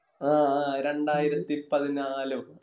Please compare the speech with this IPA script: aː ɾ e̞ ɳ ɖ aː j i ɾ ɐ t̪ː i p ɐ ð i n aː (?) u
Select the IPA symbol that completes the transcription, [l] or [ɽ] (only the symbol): l